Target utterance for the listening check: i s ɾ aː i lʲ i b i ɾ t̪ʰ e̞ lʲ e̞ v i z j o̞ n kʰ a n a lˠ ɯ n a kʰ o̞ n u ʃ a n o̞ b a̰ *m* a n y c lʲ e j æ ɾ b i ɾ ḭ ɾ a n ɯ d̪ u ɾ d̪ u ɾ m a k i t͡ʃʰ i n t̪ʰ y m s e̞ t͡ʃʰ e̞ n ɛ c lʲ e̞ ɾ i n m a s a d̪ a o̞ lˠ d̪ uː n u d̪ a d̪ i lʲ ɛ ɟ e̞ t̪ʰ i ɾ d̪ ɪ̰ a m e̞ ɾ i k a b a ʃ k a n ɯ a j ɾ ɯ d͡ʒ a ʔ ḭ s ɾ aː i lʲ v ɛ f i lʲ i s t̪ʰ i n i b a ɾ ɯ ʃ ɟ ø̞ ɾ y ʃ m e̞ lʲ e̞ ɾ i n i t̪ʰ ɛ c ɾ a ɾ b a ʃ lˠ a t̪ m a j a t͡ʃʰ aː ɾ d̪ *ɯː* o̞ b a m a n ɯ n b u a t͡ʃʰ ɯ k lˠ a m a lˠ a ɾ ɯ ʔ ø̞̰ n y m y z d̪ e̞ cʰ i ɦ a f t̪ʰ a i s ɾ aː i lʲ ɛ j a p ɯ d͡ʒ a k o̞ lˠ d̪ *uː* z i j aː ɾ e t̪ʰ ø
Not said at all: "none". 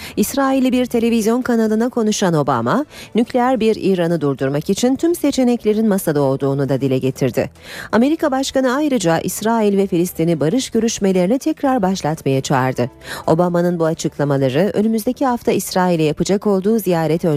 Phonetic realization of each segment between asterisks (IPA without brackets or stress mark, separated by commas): m, ɯ, uː